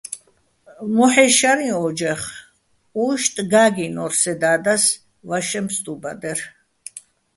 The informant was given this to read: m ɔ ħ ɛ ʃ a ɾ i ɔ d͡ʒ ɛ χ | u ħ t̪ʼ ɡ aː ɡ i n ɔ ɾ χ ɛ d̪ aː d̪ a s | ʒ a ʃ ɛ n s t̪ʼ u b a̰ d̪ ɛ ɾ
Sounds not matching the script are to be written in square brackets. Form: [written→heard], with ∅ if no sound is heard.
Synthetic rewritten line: m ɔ ħ ɛ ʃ a ɾ i ɔ d͡ʒ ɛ χ | u [ħ→ʃ] t̪ʼ ɡ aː ɡ i n ɔ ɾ [χ→s] ɛ d̪ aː d̪ a s | [ʒ→v] a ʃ ɛ [n→m] s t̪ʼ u b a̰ d̪ ɛ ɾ